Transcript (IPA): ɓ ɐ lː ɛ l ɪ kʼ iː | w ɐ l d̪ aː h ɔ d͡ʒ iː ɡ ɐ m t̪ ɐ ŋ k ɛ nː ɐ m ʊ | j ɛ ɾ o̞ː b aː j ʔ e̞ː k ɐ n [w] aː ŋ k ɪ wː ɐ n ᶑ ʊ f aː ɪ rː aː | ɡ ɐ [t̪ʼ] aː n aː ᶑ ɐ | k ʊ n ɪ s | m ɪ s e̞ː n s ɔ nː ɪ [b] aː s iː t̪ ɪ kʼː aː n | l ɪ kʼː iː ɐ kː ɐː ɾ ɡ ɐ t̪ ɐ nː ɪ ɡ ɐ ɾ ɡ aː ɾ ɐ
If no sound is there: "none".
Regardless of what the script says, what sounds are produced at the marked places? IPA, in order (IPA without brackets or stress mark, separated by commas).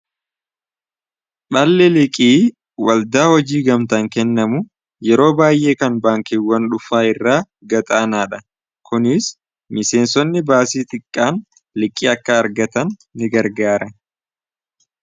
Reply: b, t̪ʼ, b